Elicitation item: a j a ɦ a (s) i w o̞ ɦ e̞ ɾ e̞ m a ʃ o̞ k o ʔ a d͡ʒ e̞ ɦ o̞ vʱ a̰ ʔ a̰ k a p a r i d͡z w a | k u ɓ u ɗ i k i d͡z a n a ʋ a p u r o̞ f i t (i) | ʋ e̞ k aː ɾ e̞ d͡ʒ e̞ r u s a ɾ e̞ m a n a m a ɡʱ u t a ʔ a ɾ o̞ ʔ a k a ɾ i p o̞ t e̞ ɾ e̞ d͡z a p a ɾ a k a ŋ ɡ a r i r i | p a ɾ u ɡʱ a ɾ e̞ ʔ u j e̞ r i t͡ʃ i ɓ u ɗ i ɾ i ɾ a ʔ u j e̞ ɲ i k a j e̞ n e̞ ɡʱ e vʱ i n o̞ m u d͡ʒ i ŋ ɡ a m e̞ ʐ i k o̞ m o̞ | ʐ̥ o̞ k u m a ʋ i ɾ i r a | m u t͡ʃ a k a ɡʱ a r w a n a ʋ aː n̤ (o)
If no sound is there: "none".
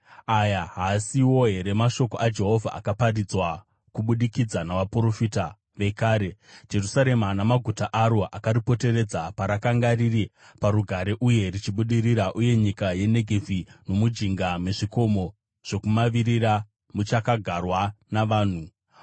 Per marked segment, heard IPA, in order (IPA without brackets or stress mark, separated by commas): s, a, u